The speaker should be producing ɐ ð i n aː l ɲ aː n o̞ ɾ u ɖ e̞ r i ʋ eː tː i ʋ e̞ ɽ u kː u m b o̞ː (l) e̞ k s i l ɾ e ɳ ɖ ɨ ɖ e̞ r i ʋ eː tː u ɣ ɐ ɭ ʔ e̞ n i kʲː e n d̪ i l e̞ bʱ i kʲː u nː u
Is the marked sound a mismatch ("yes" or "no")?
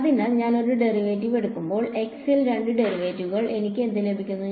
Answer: yes